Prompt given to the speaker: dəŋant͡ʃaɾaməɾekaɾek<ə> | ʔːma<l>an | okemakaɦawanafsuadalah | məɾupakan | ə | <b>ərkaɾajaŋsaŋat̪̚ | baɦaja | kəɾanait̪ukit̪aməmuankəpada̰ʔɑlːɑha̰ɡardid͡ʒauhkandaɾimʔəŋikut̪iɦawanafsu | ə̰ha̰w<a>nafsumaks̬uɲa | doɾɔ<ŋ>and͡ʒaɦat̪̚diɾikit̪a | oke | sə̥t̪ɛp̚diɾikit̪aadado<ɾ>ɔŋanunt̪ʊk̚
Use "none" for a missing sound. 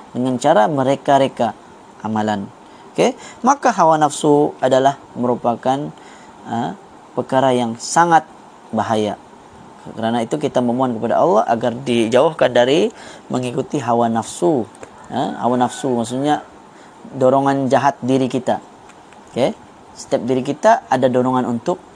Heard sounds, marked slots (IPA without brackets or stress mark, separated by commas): a, l, p, a, ŋ, ɾ